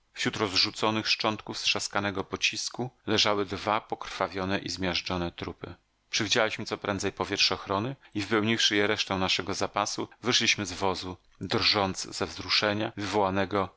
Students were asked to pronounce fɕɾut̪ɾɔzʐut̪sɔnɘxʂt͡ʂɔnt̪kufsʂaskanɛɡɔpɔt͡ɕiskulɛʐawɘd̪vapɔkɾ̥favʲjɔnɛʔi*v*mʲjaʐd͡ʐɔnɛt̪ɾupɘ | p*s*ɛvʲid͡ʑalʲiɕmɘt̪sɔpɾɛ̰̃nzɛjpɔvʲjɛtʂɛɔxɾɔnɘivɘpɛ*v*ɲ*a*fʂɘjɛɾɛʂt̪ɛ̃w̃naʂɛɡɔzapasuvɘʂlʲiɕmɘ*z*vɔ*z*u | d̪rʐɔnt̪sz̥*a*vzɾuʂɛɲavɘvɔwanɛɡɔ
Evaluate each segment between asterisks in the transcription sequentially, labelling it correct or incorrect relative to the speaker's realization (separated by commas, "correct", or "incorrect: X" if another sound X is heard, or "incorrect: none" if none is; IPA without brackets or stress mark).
incorrect: z, incorrect: ʂ, incorrect: w, incorrect: i, correct, correct, incorrect: ɛ